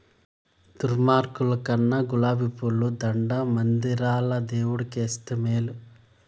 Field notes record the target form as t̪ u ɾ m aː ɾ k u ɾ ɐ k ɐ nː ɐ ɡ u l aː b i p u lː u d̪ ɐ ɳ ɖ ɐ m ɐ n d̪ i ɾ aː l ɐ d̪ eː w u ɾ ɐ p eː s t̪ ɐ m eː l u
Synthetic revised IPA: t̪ u ɾ m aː ɾ k u l ɐ k ɐ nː ɐ ɡ u l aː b i p u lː u d̪ ɐ ɳ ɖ ɐ m ɐ n d̪ i ɾ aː l ɐ d̪ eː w u ɽ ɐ k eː s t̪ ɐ m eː l u